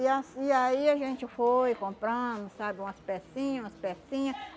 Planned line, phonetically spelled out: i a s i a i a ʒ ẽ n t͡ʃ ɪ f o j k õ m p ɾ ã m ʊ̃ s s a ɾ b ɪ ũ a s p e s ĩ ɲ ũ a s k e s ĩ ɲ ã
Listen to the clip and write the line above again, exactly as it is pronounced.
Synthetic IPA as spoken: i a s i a i a ʒ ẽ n t͡ʃ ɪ f o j k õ m p ɾ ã m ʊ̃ s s a b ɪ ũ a s p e s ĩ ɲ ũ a s p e s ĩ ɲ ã